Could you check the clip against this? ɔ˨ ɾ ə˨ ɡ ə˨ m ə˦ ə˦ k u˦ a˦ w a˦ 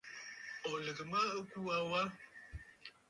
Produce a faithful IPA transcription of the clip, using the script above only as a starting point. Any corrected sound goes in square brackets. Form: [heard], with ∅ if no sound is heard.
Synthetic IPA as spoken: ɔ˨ [l] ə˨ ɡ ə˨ m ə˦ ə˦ k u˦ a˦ w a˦